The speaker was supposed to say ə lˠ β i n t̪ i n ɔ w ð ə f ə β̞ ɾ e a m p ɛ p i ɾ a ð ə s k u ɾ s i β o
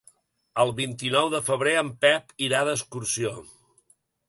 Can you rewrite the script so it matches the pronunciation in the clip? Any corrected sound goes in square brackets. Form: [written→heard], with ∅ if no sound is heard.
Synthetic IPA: ə lˠ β i n t̪ i n ɔ w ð ə f ə β̞ ɾ e [a→ə] m p ɛ p i ɾ a ð ə s k u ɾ s i [β→∅] o

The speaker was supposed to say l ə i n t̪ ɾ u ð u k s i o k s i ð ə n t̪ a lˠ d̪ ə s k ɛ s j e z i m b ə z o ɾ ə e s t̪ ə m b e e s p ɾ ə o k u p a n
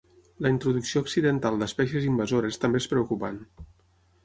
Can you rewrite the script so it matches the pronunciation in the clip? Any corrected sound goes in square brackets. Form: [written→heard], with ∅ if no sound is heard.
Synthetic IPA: l ə i n t̪ ɾ u ð u k s i o k s i ð ə n t̪ a lˠ d̪ ə s [k→p] ɛ s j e z i m b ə z o ɾ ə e s t̪ ə m b e e s p ɾ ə [o→u] k u p a n

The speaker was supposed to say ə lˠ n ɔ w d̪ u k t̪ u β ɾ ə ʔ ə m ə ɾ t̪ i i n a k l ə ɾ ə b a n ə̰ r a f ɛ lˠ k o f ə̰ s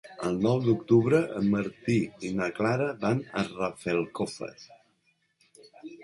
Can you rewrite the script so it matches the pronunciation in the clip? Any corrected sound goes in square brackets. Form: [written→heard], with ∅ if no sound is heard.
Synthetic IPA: ə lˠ n ɔ w d̪ u k t̪ u β ɾ ə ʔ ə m ə ɾ t̪ i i n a k l [ə→a] ɾ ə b a n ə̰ r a f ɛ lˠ k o f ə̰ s

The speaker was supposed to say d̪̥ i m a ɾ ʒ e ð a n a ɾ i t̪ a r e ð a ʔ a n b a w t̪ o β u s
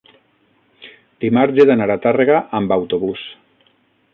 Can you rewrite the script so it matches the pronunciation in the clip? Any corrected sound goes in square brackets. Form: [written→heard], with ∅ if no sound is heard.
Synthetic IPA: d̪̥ i m a ɾ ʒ e ð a n a ɾ [i→a] t̪ a r e [ð→ɣ] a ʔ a [n→m] b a w t̪ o β u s

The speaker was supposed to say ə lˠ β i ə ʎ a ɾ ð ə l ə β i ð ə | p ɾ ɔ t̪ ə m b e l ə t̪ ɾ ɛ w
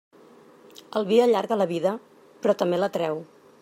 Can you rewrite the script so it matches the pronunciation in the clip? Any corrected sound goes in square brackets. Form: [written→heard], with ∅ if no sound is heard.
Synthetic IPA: ə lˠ β i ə ʎ a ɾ [ð→ɣ] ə l ə β i ð ə | p ɾ ɔ t̪ ə m b e l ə t̪ ɾ ɛ w

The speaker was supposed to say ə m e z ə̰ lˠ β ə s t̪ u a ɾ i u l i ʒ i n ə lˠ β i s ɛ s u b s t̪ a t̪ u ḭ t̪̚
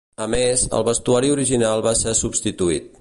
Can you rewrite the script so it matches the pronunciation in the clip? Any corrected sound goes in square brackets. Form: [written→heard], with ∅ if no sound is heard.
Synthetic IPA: ə m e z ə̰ lˠ β ə s t̪ u a ɾ i u [l→ɾ] i ʒ i n [ə→a] lˠ β [i→a] s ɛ s u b s t̪ [a→i] t̪ u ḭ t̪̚

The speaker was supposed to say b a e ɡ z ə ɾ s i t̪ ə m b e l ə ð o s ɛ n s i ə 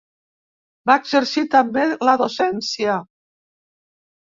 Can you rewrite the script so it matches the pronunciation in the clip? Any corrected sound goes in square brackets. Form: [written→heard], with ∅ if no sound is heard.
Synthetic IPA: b a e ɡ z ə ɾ s i t̪ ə m b e l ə ð o s ɛ n s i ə

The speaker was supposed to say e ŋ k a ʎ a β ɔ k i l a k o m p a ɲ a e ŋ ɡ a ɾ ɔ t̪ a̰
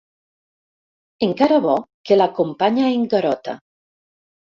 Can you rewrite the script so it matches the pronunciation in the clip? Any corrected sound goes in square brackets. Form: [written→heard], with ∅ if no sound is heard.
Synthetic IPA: e ŋ k a [ʎ→ɾ] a β ɔ k [i→e] l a k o m p a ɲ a e ŋ ɡ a ɾ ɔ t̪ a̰

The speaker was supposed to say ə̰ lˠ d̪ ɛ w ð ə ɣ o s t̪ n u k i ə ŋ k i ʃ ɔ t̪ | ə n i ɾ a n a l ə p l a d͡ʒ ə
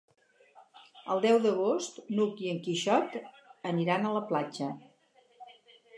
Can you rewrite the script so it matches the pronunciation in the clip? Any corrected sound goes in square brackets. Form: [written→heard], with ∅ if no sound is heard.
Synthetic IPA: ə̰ lˠ d̪ ɛ w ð ə ɣ o s t̪ n u k i ə ŋ k i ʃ ɔ t̪ | ə n i ɾ a n [a→ə] l ə p l a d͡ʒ ə

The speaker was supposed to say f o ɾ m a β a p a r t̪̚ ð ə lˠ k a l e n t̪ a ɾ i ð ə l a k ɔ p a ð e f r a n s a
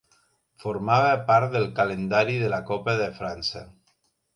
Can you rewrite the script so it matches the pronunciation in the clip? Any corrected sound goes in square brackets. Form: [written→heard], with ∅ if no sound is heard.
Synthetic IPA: f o ɾ m a β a p a [r→ɾ] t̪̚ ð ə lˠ k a l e n [t̪→d̪] a ɾ i ð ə l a k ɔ p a ð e f [r→ɾ] a n s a

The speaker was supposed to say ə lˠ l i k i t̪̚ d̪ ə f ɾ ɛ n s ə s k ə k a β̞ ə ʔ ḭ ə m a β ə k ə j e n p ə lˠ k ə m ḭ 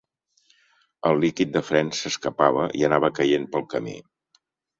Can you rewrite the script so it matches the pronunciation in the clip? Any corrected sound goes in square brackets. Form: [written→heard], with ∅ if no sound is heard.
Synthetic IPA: ə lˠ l i k i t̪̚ d̪ ə f ɾ ɛ n s ə s k ə [k→p] a β̞ ə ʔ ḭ ə [m→n] a β ə k ə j e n p ə lˠ k ə m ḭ

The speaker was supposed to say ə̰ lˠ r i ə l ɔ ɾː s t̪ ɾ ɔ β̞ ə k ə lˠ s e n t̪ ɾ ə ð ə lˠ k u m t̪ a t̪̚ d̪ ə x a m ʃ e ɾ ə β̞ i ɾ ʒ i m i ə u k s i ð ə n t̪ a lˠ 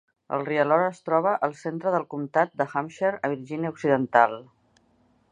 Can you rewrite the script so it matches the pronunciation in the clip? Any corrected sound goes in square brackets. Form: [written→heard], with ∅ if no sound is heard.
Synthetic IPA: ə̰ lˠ r i ə l ɔ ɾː s t̪ ɾ ɔ β̞ ə [k→ʔ] ə lˠ s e n t̪ ɾ ə ð ə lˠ k u m t̪ a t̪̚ d̪ ə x a m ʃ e ɾ ə β̞ i ɾ ʒ i [m→n] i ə u k s i ð ə n t̪ a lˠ

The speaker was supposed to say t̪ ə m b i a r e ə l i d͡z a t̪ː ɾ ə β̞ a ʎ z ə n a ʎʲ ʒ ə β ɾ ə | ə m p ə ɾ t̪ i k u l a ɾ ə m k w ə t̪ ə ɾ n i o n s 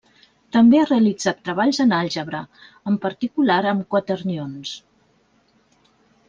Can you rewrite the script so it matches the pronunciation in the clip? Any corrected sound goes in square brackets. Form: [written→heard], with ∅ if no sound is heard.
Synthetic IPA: t̪ ə m b [i→e] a r e ə l i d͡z a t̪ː ɾ ə β̞ a ʎ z ə n a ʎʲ ʒ ə β ɾ ə | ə m p ə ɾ t̪ i k u l a ɾ ə m k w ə t̪ ə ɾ n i o n s

